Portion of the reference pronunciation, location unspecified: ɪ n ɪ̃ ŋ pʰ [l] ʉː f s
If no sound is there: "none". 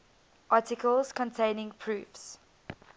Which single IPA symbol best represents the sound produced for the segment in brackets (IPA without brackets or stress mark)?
ɹ